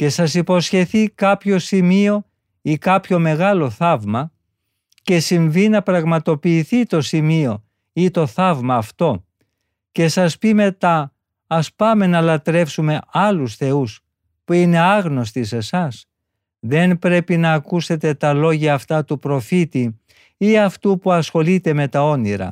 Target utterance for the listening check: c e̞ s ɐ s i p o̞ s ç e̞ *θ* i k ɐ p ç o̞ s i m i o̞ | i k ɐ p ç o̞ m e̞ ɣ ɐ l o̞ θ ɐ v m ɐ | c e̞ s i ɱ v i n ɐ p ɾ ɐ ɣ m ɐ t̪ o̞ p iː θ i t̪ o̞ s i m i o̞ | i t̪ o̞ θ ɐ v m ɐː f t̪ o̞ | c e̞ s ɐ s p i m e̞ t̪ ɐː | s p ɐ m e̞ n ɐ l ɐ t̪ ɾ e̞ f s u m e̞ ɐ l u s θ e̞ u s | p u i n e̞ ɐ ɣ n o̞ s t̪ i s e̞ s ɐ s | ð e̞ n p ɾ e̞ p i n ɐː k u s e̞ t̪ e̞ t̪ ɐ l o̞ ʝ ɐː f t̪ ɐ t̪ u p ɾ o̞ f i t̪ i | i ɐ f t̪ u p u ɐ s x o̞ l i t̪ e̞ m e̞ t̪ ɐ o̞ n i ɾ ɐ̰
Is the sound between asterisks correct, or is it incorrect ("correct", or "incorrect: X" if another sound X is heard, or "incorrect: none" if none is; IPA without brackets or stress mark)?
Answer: correct